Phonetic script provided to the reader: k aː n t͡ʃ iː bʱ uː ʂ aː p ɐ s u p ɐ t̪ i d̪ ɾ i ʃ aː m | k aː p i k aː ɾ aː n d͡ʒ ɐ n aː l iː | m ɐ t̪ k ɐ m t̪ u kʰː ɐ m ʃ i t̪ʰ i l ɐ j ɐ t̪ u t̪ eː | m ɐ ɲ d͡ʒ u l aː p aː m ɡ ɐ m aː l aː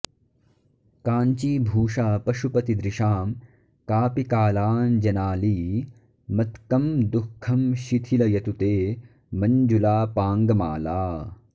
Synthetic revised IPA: k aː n t͡ʃ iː bʱ uː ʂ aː p ɐ ʃ u p ɐ t̪ i d̪ ɾ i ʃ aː m | k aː p i k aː l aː n d͡ʒ ɐ n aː l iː | m ɐ t̪ k ɐ m d̪ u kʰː ɐ m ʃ i t̪ʰ i l ɐ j ɐ t̪ u t̪ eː | m ɐ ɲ d͡ʒ u l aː p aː ŋ ɡ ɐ m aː l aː